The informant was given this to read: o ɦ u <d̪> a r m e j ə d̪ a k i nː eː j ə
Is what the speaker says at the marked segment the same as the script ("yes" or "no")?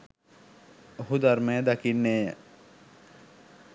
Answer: yes